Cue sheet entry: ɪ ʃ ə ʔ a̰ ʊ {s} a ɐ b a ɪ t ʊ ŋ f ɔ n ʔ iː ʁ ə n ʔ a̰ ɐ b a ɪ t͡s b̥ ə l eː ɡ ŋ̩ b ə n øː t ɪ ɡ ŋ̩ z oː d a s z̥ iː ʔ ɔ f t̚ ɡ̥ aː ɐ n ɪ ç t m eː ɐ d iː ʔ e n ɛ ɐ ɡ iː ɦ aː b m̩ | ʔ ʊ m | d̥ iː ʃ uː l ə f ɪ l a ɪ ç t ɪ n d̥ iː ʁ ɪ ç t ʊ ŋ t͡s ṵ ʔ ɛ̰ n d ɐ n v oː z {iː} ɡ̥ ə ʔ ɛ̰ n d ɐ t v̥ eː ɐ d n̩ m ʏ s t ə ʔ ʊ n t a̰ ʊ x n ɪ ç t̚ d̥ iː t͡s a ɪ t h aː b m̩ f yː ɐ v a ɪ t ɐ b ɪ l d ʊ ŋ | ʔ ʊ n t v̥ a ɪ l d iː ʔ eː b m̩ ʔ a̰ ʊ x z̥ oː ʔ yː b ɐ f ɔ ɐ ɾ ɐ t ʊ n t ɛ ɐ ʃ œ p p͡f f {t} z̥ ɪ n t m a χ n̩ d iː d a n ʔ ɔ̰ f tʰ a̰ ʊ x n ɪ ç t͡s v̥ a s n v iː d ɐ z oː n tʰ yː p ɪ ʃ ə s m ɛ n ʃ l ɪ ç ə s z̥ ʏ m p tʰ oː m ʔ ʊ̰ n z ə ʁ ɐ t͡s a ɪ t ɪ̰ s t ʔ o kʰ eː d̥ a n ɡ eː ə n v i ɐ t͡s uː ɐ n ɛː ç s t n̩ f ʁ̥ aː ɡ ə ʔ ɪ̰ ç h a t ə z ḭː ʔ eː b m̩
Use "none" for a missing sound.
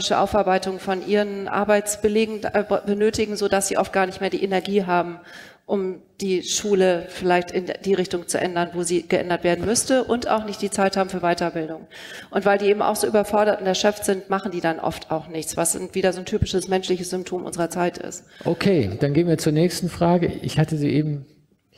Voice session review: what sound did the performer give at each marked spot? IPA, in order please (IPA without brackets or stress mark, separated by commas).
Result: f, iː, t